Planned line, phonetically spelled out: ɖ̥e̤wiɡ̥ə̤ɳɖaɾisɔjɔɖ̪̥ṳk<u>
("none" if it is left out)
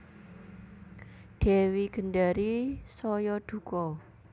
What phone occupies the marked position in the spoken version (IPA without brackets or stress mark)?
ɔ